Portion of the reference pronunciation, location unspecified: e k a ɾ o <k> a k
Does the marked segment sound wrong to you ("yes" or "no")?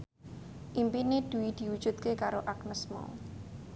yes